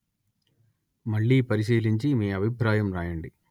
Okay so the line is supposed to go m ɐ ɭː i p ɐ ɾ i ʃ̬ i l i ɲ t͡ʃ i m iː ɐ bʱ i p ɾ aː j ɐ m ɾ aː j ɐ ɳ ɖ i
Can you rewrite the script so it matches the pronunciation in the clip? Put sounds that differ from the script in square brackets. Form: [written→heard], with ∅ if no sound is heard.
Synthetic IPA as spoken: m ɐ ɭː i p ɐ ɾ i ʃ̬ [i→iː] l i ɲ t͡ʃ i m iː ɐ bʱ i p ɾ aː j ɐ m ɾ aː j ɐ ɳ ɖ i